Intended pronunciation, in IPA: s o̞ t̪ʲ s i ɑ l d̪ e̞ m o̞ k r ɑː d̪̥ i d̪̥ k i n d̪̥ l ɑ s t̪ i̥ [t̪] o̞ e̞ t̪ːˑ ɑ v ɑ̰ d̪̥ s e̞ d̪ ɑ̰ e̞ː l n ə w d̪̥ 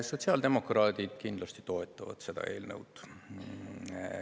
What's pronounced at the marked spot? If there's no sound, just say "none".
t̪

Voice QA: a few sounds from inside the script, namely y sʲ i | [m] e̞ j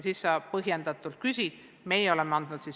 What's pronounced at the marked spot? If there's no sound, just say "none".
m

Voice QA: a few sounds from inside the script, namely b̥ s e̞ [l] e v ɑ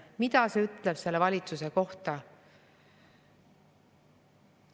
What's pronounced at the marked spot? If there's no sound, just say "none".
lː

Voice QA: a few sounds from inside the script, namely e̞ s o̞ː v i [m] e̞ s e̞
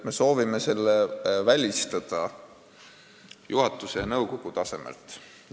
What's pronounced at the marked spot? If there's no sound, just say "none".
m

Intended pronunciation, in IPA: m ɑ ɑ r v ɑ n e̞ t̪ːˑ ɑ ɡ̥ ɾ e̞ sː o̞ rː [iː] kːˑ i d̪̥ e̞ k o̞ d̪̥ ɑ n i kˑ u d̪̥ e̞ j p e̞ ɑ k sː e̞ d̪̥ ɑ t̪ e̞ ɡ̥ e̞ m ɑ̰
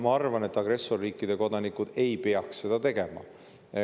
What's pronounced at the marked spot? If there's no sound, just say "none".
iː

